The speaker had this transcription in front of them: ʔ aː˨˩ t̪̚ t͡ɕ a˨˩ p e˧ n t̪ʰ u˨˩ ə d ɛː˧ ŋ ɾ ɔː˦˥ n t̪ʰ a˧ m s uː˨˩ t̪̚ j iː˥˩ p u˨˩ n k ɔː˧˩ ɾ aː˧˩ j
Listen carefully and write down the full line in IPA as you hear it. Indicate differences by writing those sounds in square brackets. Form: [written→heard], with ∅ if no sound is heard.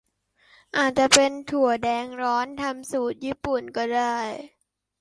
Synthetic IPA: ʔ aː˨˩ t̪̚ t͡ɕ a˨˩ p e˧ n t̪ʰ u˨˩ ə d ɛː˧ ŋ ɾ ɔː˦˥ n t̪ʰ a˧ m s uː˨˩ t̪̚ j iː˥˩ p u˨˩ n k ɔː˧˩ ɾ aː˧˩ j